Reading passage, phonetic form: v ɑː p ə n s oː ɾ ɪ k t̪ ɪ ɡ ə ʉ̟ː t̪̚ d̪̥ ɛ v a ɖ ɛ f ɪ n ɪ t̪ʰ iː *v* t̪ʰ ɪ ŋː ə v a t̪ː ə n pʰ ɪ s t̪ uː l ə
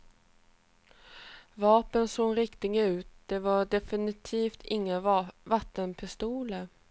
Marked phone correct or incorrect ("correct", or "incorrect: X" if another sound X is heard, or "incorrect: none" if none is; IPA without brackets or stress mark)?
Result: incorrect: f